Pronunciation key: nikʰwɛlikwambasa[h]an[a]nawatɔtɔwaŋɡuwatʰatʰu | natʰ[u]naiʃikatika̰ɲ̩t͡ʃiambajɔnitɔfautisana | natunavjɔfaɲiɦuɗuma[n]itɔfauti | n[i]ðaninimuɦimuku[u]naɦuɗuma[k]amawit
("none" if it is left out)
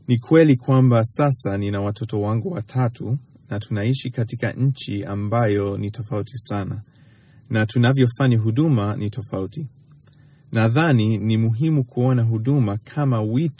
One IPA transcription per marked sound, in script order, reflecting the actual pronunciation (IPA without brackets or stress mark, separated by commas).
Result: s, i, u, n, a, ɔ, kʰ